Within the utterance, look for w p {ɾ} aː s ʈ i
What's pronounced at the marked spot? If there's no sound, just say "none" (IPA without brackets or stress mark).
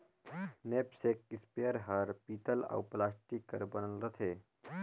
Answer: l